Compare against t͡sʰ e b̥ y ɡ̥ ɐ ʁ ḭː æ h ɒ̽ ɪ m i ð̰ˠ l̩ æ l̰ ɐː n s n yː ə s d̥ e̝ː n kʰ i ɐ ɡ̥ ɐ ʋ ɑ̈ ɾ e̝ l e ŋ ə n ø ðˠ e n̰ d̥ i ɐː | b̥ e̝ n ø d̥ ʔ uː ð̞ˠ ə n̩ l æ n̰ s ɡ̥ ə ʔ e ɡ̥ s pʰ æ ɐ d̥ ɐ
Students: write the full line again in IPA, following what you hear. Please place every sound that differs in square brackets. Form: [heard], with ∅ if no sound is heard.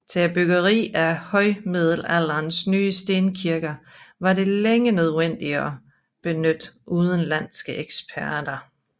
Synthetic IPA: t͡sʰ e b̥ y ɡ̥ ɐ ʁ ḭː æ h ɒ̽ ɪ m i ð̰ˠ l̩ æ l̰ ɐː n s n yː ə s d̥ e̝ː n kʰ i ɐ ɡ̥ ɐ ʋ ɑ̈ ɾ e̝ l e ŋ ə n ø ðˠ e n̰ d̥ i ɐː | b̥ e̝ n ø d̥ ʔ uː ð̞ˠ ə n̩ l æ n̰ s ɡ̥ ə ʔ e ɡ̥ s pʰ æ ɐ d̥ ɐ